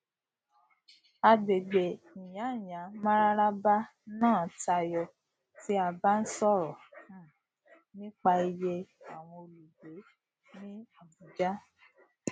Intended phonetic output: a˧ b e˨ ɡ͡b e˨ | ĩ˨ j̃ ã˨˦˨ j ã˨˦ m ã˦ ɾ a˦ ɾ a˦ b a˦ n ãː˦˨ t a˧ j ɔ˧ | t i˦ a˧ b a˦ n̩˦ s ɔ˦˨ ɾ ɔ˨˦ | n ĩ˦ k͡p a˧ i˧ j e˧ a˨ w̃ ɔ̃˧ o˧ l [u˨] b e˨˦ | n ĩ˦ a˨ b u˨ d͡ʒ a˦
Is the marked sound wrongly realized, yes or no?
no